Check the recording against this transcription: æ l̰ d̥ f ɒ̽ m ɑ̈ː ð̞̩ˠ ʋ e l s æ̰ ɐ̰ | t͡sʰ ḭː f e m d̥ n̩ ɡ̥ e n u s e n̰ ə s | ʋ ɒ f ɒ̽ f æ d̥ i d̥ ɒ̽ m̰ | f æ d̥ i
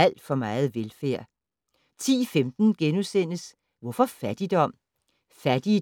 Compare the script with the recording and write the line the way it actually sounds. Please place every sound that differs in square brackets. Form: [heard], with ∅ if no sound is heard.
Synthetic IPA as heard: æ l̰ d̥ f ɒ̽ m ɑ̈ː ð̞̩ˠ ʋ e l [f] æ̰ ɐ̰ | t͡sʰ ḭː f e m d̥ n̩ ɡ̥ e n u s e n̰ ə s | ʋ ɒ f ɒ̽ f æ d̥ i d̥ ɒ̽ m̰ | f æ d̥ i